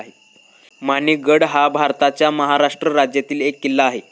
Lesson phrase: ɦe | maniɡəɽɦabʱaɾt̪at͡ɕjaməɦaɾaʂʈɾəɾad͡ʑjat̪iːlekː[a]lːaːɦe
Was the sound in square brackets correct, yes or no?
no